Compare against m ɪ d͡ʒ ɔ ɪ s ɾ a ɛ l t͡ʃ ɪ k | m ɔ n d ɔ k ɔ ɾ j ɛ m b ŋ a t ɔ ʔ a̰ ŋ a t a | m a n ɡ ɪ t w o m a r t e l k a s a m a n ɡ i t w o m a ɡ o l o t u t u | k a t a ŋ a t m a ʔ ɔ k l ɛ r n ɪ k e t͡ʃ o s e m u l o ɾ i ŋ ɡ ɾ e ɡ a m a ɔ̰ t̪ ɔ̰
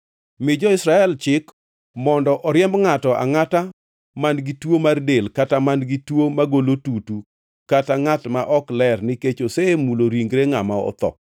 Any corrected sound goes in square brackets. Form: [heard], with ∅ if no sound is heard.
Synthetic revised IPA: m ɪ d͡ʒ ɔ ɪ s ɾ a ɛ l t͡ʃ ɪ k | m ɔ n d ɔ [ʔ] ɔ ɾ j ɛ m b ŋ a t ɔ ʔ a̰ ŋ a t a | m a n ɡ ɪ t w o m a r [d] e l k a [t] a m a n ɡ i t w o m a ɡ o l o t u t u | k a t a ŋ a t m a ʔ ɔ k l ɛ r n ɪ k e t͡ʃ o s e m u l o ɾ i ŋ ɡ ɾ e [ŋ] a m a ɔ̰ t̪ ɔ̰